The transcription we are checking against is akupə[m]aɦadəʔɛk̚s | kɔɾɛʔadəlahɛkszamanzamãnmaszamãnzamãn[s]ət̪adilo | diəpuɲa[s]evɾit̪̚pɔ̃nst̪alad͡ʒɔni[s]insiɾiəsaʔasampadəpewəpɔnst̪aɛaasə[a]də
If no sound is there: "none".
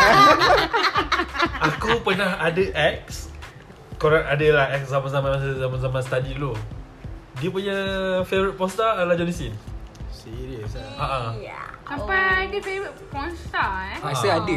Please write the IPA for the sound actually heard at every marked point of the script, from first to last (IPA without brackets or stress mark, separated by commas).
n, s, f, s, a